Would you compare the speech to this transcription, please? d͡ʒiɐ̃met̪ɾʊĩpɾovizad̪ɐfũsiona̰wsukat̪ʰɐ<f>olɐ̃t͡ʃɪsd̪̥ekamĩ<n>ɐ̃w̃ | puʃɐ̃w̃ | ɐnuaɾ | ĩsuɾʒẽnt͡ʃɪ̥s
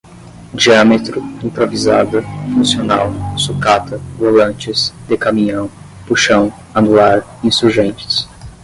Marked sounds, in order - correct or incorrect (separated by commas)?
incorrect, incorrect